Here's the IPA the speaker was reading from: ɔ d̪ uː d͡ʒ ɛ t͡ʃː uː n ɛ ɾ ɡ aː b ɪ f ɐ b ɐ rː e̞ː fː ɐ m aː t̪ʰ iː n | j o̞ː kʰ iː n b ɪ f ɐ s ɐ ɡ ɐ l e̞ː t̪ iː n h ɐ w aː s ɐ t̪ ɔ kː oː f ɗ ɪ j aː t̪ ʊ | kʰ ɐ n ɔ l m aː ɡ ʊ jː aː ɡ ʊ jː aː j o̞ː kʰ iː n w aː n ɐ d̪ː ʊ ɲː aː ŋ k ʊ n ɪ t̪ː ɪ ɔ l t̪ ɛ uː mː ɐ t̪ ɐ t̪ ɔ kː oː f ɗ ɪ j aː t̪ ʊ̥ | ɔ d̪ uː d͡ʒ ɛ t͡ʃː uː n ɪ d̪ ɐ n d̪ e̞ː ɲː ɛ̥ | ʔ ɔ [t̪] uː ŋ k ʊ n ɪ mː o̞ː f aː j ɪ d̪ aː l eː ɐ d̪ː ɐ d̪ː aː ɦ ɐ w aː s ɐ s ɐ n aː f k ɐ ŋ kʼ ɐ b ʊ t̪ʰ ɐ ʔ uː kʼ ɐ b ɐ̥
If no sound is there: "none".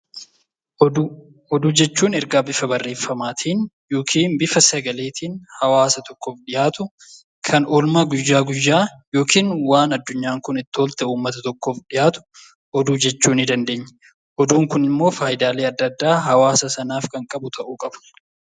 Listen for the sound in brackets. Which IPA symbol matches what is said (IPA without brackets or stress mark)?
d̪